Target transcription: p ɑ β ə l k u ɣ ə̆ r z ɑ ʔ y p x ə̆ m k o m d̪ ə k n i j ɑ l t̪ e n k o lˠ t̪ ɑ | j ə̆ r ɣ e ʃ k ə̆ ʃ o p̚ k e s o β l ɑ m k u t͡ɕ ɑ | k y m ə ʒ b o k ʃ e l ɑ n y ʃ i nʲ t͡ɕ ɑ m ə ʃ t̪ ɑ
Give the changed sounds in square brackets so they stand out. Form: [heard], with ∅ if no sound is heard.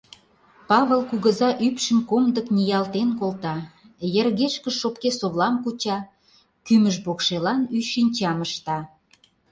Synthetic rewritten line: p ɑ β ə l k u ɣ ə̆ [∅] z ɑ ʔ y p [ʃ] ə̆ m k o m d̪ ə k n i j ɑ l t̪ e n k o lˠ t̪ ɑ | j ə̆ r ɣ e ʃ k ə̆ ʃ o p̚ k e s o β l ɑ m k u t͡ɕ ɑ | k y m ə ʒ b o k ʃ e l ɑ n y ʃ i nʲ t͡ɕ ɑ m ə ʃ t̪ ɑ